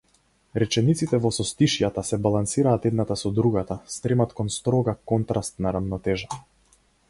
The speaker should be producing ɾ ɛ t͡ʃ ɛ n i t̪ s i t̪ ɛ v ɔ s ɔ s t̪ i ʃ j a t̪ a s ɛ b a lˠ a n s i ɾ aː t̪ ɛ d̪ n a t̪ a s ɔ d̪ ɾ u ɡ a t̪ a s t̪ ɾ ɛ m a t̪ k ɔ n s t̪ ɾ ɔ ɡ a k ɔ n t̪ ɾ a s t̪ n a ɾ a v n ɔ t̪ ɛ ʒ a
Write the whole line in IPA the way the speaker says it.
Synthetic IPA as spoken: ɾ ɛ t͡ʃ ɛ n i t̪ s i t̪ ɛ v ɔ s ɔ s t̪ i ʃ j a t̪ a s ɛ b a lˠ a n s i ɾ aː t̪ ɛ d̪ n a t̪ a s ɔ d̪ ɾ u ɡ a t̪ a s t̪ ɾ ɛ m a t̪ k ɔ n s t̪ ɾ ɔ ɡ a k ɔ n t̪ ɾ a s t̪ n a ɾ a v n ɔ t̪ ɛ ʒ a